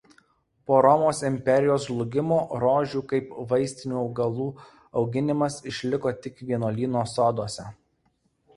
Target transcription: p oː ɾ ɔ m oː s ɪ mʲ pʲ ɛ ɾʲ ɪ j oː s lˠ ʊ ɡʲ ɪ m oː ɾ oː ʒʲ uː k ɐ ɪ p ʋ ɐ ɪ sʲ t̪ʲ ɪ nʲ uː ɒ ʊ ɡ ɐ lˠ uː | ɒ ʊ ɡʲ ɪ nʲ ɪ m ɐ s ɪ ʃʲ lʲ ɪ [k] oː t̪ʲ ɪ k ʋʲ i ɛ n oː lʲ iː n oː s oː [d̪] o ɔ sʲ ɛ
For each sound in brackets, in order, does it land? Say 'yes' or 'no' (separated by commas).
yes, yes